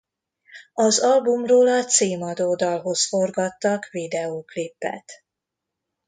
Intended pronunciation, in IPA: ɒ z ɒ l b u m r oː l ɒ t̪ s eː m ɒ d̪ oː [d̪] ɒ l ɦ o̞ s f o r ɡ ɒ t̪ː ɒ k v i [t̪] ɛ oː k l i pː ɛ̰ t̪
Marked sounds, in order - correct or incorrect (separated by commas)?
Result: correct, incorrect